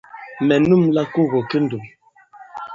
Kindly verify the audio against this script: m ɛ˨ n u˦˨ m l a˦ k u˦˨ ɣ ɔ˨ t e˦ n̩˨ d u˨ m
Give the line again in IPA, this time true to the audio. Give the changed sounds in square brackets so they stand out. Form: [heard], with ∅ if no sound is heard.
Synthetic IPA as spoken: m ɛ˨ n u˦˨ m l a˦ k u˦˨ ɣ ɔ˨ [k] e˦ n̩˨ d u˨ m